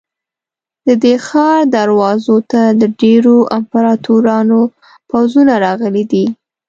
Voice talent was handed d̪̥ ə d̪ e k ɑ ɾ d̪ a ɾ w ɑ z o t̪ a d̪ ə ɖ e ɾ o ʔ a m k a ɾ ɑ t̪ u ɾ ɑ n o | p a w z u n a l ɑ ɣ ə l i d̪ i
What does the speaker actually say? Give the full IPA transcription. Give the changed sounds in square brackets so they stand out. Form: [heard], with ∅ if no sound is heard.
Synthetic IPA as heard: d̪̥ ə d̪ e [x] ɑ ɾ d̪ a ɾ w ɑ z o t̪ a d̪ ə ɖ e ɾ o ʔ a m [p] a ɾ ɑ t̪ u ɾ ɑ n o | p a w z u n a [ɾ] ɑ ɣ ə l i d̪ i